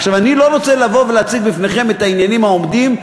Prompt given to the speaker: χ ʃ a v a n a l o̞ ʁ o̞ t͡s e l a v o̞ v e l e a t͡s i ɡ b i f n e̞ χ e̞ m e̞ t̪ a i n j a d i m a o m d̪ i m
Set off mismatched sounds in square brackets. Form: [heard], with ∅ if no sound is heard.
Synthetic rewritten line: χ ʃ a v a n [i] l o̞ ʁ o̞ t͡s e l a v o̞ v e l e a t͡s i ɡ b i f n e̞ χ e̞ m e̞ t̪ a i n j a [n] i m a o m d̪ i m